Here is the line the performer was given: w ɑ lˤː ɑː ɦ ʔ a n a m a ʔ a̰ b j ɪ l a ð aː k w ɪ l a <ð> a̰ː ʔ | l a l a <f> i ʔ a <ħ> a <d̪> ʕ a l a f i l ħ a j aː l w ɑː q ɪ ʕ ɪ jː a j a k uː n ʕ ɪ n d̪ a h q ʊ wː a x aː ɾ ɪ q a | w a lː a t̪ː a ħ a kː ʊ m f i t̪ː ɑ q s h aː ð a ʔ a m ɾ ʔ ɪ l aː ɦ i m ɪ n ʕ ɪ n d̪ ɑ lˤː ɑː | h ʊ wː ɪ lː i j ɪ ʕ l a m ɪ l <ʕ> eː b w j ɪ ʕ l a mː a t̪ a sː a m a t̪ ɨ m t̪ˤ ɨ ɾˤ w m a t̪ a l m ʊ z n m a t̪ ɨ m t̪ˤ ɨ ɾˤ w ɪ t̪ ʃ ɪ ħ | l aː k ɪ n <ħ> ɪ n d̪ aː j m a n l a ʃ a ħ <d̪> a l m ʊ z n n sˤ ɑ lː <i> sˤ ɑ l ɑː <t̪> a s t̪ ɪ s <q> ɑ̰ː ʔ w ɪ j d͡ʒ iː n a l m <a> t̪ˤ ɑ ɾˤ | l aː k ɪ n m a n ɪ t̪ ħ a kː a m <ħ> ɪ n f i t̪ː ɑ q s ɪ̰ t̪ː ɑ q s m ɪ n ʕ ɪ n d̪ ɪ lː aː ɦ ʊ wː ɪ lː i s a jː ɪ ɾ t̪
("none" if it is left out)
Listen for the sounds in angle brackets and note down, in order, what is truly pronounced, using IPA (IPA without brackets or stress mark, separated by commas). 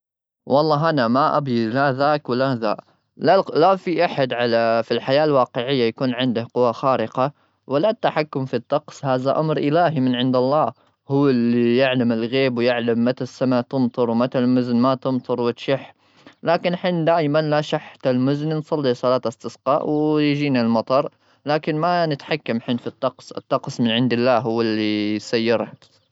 ð, f, ħ, d̪, ɣ, ħ, t̪, i, t̪, q, ɑ, ħ